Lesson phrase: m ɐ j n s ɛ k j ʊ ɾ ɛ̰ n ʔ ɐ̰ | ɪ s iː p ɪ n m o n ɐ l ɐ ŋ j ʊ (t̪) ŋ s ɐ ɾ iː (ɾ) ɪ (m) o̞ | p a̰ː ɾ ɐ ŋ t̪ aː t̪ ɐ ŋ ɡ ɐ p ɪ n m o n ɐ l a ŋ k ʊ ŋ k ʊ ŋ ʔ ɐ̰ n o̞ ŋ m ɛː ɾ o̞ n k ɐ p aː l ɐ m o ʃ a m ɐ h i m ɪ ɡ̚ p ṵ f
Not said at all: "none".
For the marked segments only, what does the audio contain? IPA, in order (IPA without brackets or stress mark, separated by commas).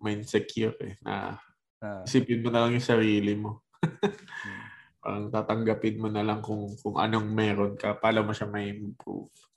none, l, m